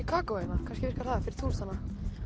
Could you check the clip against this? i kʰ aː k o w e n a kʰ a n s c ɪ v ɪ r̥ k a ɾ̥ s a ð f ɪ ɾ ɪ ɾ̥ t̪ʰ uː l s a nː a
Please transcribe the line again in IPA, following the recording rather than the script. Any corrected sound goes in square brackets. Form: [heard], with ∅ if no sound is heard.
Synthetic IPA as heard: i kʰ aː k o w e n a kʰ a n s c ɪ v ɪ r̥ k a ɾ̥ [θ] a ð f ɪ ɾ ɪ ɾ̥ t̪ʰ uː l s a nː a